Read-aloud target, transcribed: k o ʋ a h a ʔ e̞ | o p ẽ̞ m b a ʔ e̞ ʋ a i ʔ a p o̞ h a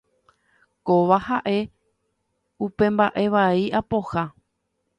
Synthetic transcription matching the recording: k o ʋ a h a ʔ e̞ | u p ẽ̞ m b a ʔ e̞ ʋ a i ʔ a p o̞ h a